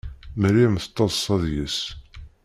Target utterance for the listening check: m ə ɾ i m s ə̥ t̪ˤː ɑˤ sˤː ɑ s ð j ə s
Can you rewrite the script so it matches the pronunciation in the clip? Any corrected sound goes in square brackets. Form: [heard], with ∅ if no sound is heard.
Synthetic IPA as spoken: m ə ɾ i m [θ] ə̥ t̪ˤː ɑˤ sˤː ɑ [∅] ð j ə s